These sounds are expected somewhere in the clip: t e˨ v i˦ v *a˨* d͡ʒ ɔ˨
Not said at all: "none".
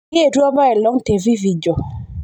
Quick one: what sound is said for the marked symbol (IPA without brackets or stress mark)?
i˨